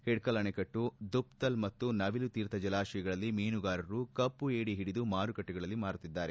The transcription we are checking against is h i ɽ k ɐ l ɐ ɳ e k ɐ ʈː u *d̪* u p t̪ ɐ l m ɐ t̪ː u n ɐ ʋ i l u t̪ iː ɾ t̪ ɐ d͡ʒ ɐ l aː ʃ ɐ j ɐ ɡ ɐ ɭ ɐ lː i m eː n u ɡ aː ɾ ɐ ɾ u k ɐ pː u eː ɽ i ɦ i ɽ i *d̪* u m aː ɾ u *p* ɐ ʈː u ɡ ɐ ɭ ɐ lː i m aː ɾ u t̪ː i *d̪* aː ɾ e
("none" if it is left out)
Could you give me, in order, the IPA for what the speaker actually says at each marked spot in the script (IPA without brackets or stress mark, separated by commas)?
d̪, d̪, k, d̪ː